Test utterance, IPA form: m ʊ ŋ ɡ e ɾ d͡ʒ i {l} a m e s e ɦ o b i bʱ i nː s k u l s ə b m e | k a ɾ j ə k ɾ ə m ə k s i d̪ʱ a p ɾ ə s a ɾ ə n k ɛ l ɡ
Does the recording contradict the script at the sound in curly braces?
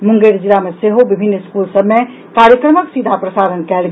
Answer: no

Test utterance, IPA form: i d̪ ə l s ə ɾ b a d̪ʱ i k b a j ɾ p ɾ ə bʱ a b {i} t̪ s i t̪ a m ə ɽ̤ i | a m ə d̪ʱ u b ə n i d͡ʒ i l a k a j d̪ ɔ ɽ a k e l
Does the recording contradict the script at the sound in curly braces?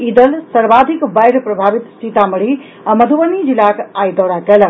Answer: no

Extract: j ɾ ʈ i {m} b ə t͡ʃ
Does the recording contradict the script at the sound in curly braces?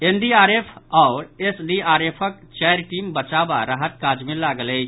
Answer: no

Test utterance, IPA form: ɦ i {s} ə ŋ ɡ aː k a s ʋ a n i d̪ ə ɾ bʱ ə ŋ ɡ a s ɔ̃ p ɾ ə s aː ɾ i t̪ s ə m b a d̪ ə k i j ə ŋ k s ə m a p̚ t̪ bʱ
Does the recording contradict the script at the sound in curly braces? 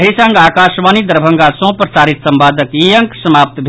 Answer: no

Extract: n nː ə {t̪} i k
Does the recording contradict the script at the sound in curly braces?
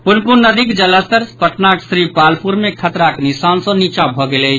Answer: yes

